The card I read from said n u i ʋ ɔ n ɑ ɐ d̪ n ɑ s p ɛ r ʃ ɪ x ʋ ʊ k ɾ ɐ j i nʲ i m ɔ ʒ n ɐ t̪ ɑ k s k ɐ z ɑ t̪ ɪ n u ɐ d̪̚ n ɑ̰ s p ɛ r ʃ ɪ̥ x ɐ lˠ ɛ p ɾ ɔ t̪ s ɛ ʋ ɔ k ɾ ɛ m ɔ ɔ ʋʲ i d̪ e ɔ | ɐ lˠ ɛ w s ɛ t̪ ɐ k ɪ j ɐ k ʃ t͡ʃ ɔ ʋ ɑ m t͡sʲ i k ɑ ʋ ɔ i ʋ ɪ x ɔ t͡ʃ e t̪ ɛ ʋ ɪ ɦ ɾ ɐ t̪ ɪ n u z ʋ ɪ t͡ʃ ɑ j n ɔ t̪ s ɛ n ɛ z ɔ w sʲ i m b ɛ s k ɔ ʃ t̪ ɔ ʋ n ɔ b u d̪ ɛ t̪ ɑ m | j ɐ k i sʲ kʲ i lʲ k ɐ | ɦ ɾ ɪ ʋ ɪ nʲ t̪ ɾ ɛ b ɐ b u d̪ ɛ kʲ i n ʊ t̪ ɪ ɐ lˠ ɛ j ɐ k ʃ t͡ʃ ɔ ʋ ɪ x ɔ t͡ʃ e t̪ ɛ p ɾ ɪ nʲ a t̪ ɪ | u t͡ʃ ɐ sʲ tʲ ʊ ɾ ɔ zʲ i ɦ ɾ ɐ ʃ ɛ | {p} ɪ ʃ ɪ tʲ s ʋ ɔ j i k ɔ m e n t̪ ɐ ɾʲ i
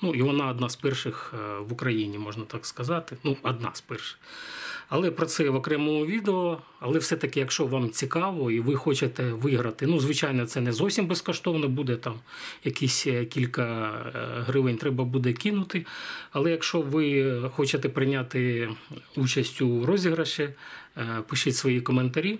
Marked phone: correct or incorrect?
correct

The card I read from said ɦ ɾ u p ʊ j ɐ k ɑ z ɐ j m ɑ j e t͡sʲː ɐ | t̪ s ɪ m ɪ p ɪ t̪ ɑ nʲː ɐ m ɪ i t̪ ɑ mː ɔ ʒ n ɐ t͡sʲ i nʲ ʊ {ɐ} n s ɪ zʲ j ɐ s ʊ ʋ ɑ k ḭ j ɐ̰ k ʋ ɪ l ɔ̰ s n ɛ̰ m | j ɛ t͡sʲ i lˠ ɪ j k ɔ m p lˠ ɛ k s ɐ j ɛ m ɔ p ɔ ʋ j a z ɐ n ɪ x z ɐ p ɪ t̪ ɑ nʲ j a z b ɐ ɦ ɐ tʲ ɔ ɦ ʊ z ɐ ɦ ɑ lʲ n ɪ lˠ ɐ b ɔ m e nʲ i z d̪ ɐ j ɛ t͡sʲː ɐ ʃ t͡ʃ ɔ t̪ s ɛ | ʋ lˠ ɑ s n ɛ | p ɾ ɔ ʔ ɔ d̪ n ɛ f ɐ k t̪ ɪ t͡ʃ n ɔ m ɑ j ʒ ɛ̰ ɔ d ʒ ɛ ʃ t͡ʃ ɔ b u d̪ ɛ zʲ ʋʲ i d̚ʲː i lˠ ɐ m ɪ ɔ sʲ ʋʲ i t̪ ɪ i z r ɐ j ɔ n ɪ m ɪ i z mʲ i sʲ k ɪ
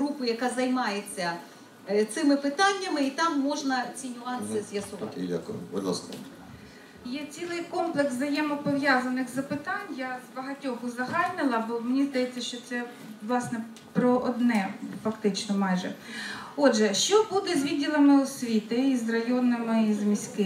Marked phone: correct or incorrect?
incorrect: ɑ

